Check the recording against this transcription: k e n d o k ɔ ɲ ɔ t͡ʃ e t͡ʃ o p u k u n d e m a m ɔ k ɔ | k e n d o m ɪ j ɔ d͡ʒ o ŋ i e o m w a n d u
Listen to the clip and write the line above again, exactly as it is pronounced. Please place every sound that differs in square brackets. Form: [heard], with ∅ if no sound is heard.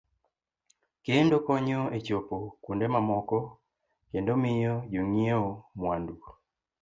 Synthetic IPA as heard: k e n d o k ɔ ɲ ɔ [∅] e t͡ʃ o p [o] k u n d e m a m ɔ k ɔ | k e n d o m ɪ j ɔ d͡ʒ o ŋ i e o m w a n d u